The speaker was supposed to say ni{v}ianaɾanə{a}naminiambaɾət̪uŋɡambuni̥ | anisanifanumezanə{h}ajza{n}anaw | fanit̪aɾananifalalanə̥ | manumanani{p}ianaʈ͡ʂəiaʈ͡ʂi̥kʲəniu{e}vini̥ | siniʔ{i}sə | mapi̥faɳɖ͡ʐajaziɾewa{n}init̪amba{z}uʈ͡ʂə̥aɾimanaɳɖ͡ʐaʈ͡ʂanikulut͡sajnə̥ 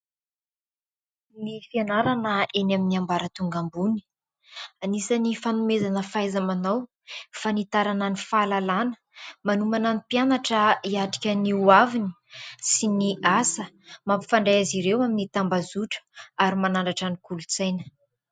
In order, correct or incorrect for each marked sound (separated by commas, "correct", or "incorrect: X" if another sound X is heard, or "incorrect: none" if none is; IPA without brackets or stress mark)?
incorrect: f, incorrect: e, incorrect: f, incorrect: m, correct, incorrect: a, incorrect: a, incorrect: m, correct